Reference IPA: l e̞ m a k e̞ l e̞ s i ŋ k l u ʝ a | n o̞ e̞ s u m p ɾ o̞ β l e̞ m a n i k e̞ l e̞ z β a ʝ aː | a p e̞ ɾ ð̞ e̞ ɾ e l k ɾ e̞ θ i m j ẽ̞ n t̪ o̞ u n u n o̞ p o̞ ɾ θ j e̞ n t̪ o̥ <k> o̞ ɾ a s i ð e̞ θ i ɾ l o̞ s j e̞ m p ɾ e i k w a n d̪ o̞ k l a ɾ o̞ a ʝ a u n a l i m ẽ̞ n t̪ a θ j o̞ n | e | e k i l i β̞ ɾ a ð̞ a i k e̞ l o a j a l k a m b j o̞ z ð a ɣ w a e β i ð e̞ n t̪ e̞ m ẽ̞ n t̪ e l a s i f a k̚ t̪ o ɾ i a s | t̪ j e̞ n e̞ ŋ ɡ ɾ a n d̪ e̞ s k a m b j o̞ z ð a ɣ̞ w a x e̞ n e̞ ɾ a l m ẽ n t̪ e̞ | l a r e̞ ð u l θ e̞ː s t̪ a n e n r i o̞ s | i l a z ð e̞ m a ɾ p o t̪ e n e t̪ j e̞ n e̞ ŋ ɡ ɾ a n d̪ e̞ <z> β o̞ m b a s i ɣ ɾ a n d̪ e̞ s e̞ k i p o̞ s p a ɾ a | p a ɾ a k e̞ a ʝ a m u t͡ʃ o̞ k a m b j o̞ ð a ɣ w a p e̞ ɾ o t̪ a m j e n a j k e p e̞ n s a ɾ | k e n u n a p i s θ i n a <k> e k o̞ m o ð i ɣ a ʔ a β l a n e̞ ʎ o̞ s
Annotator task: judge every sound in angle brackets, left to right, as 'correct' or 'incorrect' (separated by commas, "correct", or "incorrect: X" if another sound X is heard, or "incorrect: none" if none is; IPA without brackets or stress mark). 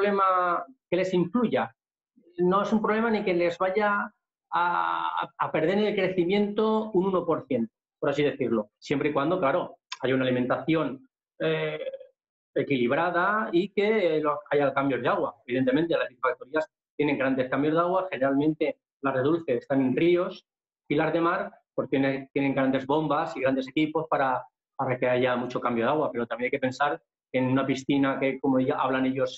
incorrect: p, correct, correct